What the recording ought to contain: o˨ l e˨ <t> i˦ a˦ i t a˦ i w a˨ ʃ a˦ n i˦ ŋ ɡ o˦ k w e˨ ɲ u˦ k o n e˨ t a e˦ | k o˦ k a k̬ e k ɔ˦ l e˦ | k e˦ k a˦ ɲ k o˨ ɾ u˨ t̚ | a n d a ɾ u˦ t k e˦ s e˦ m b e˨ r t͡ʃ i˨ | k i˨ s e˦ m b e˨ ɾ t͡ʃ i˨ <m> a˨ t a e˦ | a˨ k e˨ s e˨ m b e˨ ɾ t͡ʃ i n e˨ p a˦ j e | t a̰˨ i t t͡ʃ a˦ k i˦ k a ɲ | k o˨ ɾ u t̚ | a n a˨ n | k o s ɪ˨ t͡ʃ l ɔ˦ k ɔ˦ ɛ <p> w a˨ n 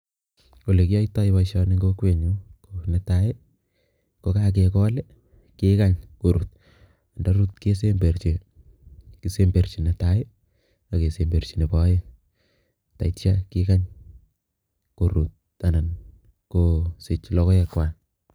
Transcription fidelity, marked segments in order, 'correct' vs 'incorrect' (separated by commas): incorrect, incorrect, incorrect